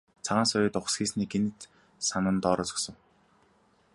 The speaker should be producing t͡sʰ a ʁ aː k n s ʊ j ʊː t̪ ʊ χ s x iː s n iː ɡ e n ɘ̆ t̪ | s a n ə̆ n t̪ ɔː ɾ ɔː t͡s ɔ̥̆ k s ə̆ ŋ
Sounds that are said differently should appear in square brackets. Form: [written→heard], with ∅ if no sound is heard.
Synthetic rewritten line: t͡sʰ a ʁ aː [k→∅] n s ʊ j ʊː t̪ ʊ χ s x iː s n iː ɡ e n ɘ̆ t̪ | s a n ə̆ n t̪ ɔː ɾ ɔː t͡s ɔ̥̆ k s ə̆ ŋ